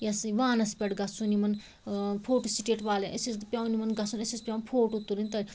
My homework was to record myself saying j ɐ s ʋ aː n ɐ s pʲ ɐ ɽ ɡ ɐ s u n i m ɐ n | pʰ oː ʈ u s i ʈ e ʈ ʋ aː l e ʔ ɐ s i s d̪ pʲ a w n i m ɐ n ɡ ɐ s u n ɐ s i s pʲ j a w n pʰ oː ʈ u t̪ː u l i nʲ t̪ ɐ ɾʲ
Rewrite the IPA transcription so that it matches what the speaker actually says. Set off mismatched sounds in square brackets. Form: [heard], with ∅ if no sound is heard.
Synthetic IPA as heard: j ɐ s ʋ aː n ɐ s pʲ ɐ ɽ ɡ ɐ s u n i m ɐ n | pʰ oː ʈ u s i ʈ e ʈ ʋ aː l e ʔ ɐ s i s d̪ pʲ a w n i m ɐ n ɡ ɐ s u n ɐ s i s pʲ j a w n pʰ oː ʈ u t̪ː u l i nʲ t̪ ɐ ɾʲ